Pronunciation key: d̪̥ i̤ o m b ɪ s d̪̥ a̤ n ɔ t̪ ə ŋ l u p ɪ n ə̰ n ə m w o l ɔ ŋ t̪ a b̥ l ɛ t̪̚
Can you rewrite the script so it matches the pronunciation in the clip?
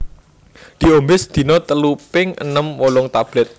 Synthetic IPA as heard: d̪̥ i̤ o m b ɪ s d̪̥ i̤ n ɔ t̪ ə l u p ɪ ŋ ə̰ n ə m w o l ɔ ŋ t̪ a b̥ l ɛ t̪̚

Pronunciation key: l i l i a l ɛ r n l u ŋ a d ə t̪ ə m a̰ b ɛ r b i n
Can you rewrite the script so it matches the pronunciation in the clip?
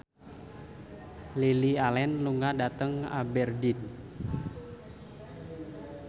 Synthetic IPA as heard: l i l i a l ɛ n l u ŋ a d a t̪ ə ŋ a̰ b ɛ r d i n

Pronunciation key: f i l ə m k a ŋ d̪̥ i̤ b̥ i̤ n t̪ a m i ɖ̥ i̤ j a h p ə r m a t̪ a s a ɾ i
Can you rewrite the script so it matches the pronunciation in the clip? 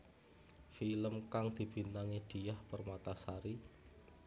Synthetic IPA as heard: f i l ə m k a ŋ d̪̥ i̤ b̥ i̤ n t̪ a ŋ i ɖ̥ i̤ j a h p ə r m a t̪ a s a ɾ i

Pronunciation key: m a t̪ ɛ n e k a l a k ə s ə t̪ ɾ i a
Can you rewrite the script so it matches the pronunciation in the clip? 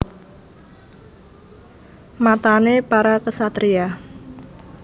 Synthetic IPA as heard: m a t̪ a n e p a ɾ a k ə s a t̪ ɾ i a

